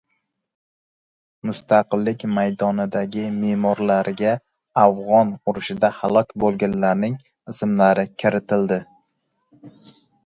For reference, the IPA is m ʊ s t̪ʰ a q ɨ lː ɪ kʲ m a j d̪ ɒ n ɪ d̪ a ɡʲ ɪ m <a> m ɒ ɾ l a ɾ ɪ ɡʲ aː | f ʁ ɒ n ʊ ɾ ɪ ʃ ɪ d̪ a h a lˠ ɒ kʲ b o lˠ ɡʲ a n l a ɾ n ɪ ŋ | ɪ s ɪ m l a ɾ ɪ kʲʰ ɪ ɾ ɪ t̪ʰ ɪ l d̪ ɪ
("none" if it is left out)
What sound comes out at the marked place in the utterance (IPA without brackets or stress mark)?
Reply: e